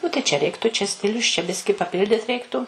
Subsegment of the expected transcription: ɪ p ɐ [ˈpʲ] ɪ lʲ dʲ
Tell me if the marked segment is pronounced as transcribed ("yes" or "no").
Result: yes